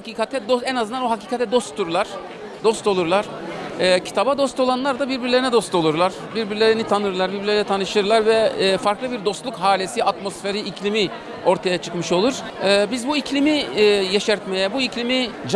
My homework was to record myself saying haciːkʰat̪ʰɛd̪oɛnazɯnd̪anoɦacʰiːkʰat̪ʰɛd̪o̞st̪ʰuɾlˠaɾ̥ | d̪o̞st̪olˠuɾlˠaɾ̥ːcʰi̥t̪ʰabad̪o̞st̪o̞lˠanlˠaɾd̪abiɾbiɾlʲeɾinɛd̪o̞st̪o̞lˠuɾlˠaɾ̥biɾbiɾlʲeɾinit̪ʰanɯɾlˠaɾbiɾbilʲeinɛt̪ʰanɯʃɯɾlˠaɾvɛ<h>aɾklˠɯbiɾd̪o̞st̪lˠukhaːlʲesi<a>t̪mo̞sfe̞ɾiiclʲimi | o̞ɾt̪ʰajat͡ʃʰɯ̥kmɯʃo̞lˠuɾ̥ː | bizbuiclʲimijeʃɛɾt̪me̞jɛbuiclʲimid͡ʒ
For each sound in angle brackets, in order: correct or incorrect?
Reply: incorrect: f, correct

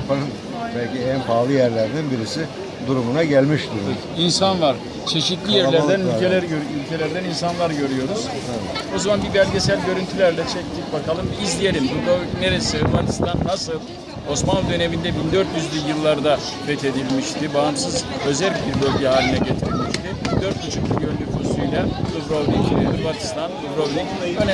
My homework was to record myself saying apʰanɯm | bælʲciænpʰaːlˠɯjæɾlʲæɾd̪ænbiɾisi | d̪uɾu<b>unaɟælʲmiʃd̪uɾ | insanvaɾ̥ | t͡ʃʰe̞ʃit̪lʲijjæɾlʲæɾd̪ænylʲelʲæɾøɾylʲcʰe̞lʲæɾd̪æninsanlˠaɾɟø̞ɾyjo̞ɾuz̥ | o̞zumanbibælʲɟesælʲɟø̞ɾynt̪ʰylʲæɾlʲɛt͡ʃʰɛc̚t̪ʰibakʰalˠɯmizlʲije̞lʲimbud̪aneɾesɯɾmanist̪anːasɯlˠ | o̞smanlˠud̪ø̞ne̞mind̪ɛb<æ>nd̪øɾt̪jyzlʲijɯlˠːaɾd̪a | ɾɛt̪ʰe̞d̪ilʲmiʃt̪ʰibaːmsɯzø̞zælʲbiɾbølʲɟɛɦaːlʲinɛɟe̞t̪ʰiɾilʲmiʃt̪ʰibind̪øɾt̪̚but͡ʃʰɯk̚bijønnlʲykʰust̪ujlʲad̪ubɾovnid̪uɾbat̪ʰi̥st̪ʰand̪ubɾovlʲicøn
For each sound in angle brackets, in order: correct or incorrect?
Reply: incorrect: m, incorrect: i

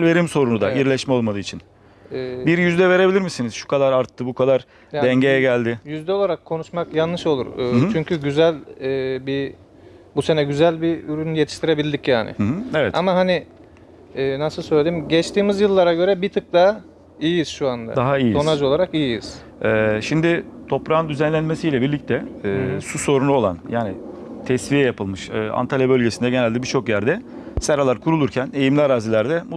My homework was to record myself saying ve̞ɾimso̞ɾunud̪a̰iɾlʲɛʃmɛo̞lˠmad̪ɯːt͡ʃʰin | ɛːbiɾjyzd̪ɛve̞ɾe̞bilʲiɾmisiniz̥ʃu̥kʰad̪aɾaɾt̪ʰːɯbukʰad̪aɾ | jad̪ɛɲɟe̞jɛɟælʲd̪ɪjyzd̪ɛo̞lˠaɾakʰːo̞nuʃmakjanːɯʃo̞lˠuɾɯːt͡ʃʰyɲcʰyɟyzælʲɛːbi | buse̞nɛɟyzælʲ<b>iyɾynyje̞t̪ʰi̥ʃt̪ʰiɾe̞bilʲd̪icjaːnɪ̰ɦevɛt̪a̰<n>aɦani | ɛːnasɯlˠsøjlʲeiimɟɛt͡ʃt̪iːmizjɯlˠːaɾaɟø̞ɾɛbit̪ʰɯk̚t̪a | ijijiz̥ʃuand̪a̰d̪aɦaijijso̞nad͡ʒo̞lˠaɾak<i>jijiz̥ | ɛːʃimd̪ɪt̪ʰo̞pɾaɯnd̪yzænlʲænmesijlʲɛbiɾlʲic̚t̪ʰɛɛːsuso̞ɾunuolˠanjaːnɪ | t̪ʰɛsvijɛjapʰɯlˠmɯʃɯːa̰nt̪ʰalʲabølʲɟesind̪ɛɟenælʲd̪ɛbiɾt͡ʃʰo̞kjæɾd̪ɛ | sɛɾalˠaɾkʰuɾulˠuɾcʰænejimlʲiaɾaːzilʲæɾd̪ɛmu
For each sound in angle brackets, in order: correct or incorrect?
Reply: correct, incorrect: m, correct

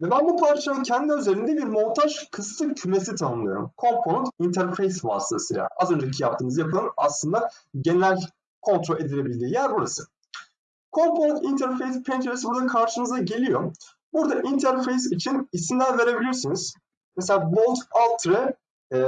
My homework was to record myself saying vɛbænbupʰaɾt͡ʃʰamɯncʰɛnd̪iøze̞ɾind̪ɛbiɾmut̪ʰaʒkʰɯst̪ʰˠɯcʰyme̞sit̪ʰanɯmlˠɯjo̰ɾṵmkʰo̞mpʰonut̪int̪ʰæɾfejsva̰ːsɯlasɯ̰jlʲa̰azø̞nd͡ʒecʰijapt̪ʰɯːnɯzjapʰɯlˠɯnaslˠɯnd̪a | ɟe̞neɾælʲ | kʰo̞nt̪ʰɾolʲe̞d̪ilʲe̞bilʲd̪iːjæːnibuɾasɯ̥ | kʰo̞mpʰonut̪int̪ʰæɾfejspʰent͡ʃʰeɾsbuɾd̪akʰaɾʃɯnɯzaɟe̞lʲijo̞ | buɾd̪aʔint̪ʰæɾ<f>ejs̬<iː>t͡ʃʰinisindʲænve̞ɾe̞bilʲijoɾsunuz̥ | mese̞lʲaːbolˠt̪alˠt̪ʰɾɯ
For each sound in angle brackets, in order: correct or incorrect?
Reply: correct, incorrect: i

